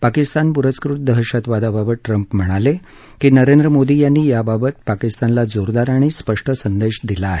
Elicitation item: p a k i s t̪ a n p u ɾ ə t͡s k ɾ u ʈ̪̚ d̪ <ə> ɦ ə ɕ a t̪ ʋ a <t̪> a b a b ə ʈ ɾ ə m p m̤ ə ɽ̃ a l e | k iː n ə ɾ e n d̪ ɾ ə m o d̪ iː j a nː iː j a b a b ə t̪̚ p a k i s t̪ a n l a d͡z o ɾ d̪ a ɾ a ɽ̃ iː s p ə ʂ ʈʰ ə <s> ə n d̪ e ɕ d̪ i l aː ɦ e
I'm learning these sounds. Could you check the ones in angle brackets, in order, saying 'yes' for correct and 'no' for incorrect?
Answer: yes, no, yes

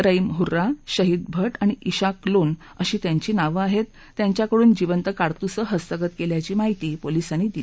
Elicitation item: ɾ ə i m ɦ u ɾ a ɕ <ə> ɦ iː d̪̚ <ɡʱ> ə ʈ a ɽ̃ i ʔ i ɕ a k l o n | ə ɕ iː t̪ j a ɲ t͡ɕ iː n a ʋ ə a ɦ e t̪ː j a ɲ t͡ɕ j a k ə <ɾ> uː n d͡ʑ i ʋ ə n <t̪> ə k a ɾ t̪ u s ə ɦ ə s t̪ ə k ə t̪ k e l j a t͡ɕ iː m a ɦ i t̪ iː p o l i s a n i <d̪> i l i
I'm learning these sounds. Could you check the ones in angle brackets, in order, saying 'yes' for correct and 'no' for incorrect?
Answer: yes, no, no, yes, yes

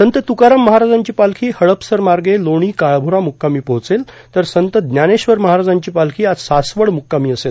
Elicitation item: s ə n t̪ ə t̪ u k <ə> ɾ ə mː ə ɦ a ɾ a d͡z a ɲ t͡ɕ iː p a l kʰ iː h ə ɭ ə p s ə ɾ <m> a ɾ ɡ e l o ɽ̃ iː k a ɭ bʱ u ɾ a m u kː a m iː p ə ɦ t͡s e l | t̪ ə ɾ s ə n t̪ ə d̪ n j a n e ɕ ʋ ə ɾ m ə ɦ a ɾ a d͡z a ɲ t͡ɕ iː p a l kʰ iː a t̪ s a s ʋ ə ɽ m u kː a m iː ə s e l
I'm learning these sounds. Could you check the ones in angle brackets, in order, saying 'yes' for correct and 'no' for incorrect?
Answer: no, yes

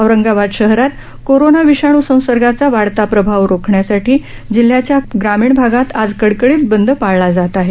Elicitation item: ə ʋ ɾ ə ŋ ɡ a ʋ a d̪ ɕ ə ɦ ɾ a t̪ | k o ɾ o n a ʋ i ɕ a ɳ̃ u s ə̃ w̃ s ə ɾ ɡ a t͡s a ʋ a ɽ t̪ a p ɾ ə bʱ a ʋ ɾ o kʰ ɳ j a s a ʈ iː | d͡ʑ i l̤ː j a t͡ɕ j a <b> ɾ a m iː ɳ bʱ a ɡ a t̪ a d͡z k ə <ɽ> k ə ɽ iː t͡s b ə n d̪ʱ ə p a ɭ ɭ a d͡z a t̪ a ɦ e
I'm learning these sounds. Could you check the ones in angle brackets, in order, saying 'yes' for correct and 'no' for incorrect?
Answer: no, yes

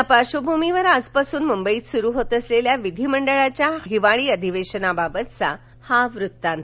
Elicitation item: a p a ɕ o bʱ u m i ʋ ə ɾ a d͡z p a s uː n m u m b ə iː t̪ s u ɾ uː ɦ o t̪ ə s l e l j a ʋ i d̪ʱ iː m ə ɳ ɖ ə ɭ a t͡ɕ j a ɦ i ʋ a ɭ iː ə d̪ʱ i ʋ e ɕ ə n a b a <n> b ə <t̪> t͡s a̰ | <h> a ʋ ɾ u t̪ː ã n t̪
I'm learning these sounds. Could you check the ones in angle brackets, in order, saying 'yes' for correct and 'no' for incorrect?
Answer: no, yes, yes

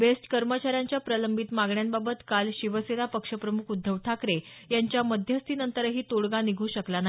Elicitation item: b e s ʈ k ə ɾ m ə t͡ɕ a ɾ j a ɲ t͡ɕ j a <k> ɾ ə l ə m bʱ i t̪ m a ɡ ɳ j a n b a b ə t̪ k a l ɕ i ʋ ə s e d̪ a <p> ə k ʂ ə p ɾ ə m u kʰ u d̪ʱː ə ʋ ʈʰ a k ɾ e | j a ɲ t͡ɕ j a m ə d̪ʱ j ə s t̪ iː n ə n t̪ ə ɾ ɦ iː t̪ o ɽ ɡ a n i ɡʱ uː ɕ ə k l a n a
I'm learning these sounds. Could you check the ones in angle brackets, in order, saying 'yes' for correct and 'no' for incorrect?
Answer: no, yes

